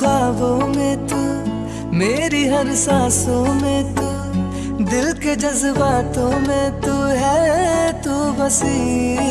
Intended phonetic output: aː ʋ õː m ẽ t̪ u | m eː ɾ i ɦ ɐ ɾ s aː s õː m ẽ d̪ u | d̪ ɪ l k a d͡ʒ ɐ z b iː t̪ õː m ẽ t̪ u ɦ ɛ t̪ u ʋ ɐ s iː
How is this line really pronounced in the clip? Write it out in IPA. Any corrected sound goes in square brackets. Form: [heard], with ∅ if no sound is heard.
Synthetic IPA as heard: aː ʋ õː m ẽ t̪ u | m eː ɾ i ɦ ɐ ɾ s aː s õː m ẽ [t̪] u | d̪ ɪ l k [e] d͡ʒ ɐ z b [aː] t̪ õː m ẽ t̪ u ɦ ɛ t̪ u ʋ ɐ s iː

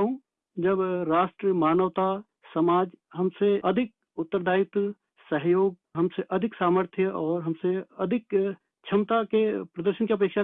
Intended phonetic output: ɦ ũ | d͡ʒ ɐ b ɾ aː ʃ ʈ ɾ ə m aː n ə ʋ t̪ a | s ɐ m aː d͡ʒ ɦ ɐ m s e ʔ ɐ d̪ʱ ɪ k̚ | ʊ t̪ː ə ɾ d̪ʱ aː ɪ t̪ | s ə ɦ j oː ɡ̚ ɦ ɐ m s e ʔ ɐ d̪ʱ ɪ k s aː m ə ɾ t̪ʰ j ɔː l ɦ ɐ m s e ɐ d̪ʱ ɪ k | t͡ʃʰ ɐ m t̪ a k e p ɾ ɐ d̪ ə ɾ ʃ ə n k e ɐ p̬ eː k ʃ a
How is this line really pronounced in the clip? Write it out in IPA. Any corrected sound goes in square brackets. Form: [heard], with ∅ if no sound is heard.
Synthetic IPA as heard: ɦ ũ | d͡ʒ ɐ b ɾ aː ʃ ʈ ɾ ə m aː n ə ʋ t̪ a | s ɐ m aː d͡ʒ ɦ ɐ m s e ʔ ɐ d̪ʱ ɪ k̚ | ʊ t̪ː ə ɾ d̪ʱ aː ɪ t̪ | s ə ɦ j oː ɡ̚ ɦ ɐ m s e ʔ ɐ d̪ʱ ɪ k s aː m ə ɾ t̪ʰ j ɔː [ɾ] ɦ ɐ m s e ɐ d̪ʱ ɪ k | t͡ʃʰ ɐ m t̪ a k e p ɾ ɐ d̪ ə ɾ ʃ ə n k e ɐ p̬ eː k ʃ a

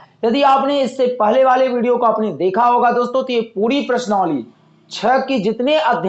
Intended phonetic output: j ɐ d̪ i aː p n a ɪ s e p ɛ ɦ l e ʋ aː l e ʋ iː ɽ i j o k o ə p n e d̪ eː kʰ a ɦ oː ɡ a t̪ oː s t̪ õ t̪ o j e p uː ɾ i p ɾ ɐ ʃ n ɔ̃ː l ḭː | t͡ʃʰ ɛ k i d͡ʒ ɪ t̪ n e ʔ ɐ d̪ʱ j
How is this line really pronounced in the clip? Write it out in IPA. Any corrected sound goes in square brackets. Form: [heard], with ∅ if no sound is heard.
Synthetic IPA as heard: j ɐ d̪ i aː p n [e] ɪ [sː] e p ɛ ɦ l e ʋ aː l e ʋ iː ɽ i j o k o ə p n e d̪ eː kʰ a ɦ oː ɡ a [d̪] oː s t̪ õ t̪ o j e p uː ɾ i p ɾ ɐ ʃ n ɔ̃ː l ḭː | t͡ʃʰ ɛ k i d͡ʒ ɪ t̪ n e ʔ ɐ d̪ʱ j

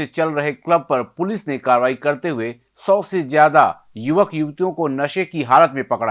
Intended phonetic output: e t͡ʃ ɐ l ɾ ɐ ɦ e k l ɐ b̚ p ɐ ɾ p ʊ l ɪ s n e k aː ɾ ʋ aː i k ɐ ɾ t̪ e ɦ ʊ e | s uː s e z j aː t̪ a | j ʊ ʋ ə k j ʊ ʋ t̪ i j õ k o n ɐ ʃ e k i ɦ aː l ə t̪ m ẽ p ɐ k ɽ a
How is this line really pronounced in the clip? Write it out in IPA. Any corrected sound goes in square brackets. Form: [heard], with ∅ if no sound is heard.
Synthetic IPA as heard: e t͡ʃ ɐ l ɾ ɐ ɦ e k l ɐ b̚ p ɐ ɾ p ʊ l ɪ s n e k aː ɾ ʋ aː i k ɐ ɾ t̪ e ɦ ʊ e | s [ɔː] s e z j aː [d̪] a | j ʊ ʋ ə k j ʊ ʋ t̪ i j õ k o n ɐ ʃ e k i ɦ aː l ə t̪ m ẽ p ɐ k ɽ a

